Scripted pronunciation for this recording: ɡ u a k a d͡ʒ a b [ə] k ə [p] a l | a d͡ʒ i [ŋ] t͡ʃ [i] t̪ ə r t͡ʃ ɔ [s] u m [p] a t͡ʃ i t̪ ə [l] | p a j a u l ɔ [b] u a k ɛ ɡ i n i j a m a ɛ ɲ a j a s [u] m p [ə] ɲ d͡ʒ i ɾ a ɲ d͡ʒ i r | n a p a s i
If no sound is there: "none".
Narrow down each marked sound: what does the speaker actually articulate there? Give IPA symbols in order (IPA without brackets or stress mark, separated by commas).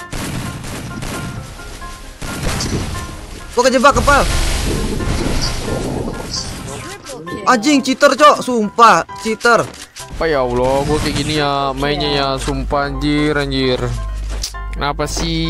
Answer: a, p, ŋ, i, s, p, r, ɡ, u, a